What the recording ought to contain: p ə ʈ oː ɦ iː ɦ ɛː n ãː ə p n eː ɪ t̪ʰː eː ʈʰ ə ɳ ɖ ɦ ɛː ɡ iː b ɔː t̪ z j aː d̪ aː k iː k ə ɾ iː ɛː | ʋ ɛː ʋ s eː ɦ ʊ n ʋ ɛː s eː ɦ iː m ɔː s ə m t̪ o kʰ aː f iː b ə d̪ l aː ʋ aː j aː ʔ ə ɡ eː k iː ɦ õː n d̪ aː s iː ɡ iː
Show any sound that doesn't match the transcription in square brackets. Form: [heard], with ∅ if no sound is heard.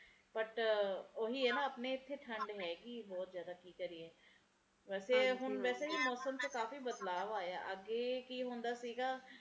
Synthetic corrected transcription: p ə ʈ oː ɦ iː ɦ ɛː n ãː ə p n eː ɪ t̪ʰː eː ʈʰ ə ɳ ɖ ɦ ɛː ɡ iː b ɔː t̪ z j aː d̪ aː k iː k ə ɾ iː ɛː | ʋ ɛː [∅] s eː ɦ ʊ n ʋ ɛː s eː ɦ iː m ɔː s ə m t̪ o [k] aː f iː b ə d̪ l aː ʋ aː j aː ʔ ə ɡ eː k iː ɦ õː n d̪ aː s iː ɡ [aː]